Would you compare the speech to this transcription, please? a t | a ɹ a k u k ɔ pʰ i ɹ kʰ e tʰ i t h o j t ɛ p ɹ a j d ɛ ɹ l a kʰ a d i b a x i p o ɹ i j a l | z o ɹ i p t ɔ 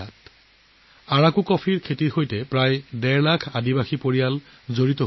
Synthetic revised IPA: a t | a ɹ a k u k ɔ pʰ i ɹ kʰ e t i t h o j t ɛ p ɹ a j d ɛ ɹ l a kʰ a d i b a x i p o ɹ i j a l | z o ɹ i t ɔ